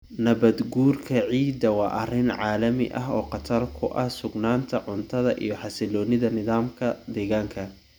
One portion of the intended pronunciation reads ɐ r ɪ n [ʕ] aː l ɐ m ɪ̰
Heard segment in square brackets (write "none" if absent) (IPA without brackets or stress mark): ʕ